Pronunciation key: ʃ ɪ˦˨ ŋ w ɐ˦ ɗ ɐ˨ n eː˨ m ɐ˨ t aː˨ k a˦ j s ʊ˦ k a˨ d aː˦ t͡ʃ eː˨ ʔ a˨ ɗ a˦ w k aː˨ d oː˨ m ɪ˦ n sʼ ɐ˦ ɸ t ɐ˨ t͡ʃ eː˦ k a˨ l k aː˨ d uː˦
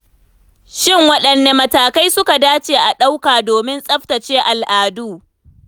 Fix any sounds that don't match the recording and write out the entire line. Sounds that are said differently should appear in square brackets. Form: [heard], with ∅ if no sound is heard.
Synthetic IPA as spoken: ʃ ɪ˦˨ ŋ w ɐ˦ ɗ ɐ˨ [nː] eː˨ m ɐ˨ t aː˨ k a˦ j s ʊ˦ k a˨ d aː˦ t͡ʃ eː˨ ʔ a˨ ɗ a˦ w k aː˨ d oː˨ m ɪ˦ n sʼ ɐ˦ ɸ t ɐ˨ t͡ʃ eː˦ [ʔ] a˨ l [ʔ] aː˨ d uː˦